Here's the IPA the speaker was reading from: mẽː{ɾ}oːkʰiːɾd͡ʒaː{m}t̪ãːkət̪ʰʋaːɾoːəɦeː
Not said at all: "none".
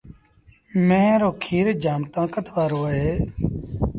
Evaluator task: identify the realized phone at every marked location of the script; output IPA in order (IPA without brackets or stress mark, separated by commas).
ɾ, m